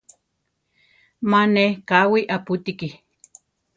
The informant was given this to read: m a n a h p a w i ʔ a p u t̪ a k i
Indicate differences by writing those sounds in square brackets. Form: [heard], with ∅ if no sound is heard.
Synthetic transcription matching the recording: m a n [e] h [k] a w i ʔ a p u t̪ [i] k i